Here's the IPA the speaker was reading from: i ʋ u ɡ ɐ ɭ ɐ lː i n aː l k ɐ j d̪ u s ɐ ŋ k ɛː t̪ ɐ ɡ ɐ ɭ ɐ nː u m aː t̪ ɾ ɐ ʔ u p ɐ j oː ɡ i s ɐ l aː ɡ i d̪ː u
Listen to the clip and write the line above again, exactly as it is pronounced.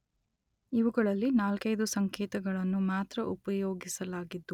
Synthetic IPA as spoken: i ʋ u ɡ ɐ ɭ ɐ lː i n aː l k ɐ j d̪ u s ɐ ŋ k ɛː t̪ ɐ ɡ ɐ ɭ ɐ nː u m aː t̪ ɾ ɐ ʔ u p ɐ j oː ɡ i s ɐ l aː ɡ i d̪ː u